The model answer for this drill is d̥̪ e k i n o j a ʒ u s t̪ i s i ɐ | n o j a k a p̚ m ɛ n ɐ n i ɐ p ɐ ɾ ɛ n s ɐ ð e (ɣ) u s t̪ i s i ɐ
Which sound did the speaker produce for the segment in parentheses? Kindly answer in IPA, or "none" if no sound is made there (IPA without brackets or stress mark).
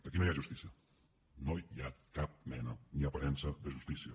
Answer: ʒ